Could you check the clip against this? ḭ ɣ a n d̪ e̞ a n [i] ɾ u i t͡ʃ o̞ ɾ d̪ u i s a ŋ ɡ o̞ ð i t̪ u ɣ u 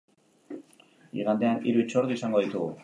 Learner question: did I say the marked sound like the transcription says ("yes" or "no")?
yes